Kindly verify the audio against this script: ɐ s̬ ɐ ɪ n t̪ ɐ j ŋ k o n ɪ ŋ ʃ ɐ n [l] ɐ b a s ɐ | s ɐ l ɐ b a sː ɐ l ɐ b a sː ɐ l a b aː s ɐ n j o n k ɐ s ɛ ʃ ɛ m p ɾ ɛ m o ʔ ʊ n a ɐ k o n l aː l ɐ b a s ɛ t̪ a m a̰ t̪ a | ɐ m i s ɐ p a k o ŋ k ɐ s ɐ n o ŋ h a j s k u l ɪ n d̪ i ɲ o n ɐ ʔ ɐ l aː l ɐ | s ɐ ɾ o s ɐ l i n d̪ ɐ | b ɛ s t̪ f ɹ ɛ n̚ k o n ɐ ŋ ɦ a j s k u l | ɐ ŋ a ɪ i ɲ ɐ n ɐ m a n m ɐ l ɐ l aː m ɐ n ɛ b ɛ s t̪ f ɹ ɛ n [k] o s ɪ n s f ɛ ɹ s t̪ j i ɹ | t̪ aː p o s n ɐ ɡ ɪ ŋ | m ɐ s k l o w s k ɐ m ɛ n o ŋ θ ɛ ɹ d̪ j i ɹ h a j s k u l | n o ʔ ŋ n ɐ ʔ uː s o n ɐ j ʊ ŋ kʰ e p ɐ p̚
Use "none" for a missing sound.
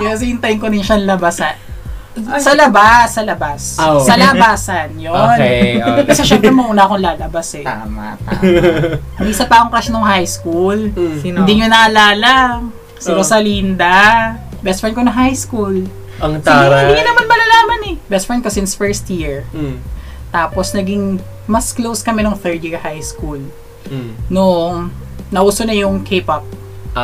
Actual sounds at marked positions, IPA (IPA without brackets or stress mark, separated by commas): l, k